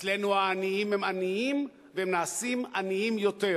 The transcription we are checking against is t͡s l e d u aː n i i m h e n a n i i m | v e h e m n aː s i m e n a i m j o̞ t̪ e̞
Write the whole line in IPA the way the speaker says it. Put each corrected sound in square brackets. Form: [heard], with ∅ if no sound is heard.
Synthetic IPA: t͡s l e [n] u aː n i i m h e [m] a n i i m | v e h e m n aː s i m [a] n [i] i m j o̞ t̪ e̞